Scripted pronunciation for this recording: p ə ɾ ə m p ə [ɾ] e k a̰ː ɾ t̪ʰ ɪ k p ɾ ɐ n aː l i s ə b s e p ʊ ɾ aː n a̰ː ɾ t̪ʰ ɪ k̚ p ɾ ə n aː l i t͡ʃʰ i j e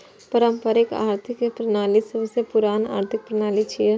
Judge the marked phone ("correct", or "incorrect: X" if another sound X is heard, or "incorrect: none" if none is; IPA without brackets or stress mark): correct